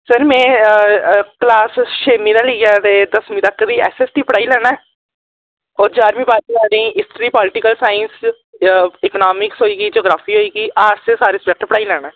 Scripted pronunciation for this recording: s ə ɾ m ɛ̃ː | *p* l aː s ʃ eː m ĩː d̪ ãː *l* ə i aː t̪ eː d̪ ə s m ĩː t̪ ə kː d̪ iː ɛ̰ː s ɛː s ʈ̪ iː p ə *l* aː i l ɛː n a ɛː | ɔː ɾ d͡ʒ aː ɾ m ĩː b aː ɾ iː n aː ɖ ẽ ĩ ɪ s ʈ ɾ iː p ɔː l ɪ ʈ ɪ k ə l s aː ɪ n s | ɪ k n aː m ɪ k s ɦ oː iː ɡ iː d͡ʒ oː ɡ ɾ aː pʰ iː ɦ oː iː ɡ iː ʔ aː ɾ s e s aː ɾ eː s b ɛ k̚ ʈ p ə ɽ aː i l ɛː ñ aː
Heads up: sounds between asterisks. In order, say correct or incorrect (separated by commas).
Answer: incorrect, correct, incorrect